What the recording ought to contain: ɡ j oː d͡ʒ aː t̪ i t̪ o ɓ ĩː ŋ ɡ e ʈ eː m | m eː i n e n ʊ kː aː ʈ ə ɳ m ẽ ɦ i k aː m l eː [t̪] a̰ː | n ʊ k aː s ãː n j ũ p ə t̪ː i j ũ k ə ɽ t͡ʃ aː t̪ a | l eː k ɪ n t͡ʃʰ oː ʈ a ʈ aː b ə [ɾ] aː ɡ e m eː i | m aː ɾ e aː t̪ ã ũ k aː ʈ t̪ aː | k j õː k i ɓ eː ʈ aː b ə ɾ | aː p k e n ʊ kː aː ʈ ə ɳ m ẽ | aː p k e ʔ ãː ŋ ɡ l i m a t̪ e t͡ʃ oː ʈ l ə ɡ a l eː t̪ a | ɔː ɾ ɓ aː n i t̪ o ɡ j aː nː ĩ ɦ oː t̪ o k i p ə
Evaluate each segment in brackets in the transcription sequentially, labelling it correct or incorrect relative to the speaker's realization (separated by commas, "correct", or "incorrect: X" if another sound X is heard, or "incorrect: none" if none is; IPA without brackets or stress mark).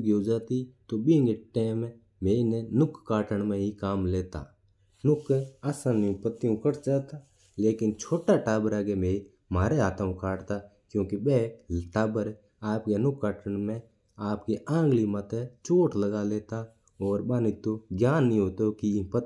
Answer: correct, correct